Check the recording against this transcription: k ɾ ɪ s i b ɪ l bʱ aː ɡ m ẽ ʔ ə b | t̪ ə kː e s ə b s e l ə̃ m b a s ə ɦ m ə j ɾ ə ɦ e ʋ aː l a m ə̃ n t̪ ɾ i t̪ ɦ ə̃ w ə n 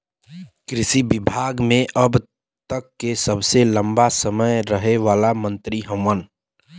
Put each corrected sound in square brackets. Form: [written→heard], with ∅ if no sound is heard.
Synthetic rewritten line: k ɾ ɪ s i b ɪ [l→∅] bʱ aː ɡ m ẽ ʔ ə b | t̪ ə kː e s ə b s e l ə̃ m b a s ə [ɦ→∅] m ə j ɾ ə ɦ e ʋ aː l a m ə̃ n t̪ ɾ i [t̪→∅] ɦ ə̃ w ə n